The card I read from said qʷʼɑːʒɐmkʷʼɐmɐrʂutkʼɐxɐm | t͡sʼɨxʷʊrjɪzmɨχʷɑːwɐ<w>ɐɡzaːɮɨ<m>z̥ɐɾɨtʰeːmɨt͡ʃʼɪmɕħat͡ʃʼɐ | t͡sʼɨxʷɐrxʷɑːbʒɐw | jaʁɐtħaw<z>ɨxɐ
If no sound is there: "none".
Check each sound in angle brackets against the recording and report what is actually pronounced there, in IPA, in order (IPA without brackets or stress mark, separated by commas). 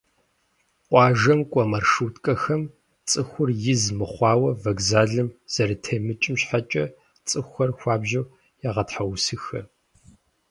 v, m, s